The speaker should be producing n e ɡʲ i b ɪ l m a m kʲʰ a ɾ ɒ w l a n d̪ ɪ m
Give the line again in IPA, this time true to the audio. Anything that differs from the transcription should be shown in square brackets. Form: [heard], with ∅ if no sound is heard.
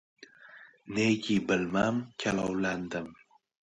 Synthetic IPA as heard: n e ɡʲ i b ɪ l m a m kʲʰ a [l] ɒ w l a n d̪ ɪ m

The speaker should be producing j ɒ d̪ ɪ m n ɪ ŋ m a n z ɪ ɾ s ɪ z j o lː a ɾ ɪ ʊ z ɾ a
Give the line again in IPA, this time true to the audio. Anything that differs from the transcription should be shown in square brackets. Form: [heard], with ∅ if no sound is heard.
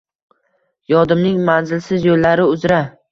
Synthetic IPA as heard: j ɒ d̪ ɪ m n ɪ ŋ m a n z ɪ [l] s ɪ z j o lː a ɾ ɪ ʊ z ɾ a

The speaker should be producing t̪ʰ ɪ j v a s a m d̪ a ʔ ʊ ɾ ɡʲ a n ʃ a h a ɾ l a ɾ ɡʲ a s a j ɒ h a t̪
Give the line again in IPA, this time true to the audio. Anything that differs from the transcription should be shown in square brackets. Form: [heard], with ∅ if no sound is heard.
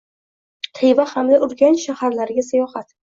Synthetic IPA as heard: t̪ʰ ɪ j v a [h] a m d̪ a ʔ ʊ ɾ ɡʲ a n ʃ a h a ɾ l a ɾ ɡʲ a s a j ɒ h a t̪

